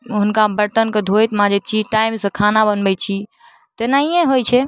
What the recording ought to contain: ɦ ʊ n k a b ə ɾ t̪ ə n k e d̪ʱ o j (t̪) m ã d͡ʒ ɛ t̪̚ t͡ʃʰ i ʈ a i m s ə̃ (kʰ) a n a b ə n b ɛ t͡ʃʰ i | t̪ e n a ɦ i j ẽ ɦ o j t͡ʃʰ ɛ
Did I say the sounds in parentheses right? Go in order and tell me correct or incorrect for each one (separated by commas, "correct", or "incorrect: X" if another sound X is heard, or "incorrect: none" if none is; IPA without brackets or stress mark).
correct, correct